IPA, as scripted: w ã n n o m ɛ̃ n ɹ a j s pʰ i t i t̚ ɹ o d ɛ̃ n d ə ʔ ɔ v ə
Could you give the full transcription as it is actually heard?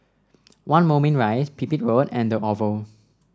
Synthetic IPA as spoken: w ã n m o m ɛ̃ n ɹ a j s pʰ i p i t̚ ɹ o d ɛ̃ n d ə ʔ ɔ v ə